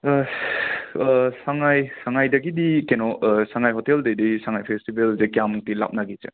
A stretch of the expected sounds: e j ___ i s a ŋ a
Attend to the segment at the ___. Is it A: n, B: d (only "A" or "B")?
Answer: B